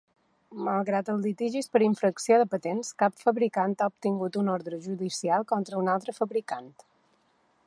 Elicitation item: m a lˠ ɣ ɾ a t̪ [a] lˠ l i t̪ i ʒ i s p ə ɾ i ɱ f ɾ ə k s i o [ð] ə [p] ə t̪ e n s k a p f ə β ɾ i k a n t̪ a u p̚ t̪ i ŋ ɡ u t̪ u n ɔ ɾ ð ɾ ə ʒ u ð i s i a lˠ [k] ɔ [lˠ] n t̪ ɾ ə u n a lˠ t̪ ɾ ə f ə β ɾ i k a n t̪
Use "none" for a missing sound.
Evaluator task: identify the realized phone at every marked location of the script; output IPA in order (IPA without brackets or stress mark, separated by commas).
ə, ð, p, k, none